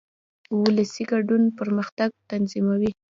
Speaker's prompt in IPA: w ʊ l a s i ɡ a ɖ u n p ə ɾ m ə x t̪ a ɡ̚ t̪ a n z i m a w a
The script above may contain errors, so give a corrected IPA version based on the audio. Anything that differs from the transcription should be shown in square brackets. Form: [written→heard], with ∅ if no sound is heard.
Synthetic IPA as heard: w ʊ l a s i ɡ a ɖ u n p ə ɾ m ə x t̪ a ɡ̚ t̪ a n z i m a w [a→i]